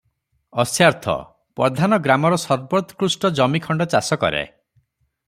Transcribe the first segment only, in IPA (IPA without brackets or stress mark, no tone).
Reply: ɔ